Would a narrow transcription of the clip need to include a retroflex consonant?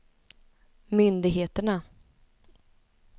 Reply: yes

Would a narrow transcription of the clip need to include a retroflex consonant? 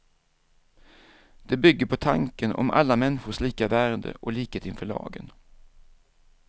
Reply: yes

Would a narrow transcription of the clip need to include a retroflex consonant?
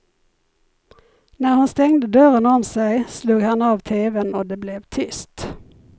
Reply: no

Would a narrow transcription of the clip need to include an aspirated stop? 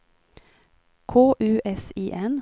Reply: yes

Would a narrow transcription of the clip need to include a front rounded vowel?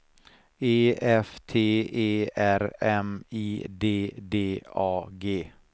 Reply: no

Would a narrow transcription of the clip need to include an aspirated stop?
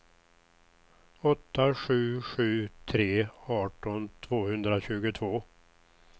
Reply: yes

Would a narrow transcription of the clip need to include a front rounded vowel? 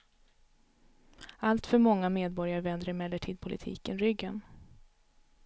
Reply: yes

